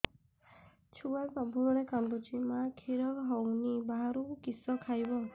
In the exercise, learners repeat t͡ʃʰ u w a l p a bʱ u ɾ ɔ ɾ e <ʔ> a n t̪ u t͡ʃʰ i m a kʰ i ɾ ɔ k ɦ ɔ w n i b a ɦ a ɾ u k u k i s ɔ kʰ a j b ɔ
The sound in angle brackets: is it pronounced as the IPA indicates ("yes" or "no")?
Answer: no